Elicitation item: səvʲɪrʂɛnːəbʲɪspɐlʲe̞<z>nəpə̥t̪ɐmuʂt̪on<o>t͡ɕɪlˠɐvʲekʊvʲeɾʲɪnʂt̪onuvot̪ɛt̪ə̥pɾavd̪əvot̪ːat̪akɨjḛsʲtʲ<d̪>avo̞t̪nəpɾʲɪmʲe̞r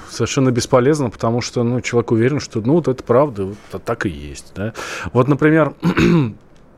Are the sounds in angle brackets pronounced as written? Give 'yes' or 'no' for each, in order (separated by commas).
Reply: yes, no, yes